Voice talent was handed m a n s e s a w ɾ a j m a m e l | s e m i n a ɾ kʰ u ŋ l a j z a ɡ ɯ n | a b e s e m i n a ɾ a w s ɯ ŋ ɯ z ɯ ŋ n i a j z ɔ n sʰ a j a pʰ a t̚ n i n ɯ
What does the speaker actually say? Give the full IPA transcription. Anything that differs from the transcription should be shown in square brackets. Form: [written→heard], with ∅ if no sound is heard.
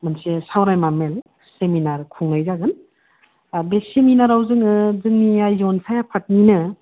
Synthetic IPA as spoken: m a n s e s a w ɾ a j m a m e l | s e m i n a ɾ kʰ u ŋ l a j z a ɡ ɯ n | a b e s e m i n a ɾ a w [s→z] ɯ ŋ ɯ z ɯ ŋ n i a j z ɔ n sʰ a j a pʰ a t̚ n i n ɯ